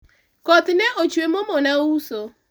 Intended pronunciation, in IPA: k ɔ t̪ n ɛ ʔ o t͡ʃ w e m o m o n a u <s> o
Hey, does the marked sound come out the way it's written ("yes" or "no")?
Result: yes